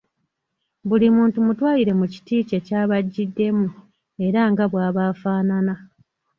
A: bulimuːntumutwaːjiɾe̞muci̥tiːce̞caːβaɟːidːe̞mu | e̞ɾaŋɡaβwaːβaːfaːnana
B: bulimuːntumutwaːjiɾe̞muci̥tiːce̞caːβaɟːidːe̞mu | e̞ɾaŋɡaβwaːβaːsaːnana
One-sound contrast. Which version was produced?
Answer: A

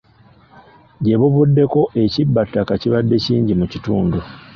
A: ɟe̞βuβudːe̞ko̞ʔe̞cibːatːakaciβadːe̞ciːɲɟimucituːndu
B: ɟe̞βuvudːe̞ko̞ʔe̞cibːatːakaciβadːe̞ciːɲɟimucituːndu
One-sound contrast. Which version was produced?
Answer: A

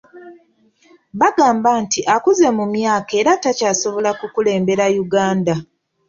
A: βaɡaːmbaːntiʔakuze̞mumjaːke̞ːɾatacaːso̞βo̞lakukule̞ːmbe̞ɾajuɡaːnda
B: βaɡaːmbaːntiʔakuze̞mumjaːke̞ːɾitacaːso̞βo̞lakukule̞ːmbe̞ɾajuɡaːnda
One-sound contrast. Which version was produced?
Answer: A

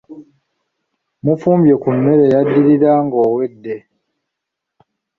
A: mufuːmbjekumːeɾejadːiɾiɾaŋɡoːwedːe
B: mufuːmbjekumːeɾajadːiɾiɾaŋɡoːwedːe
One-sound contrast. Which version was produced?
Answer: A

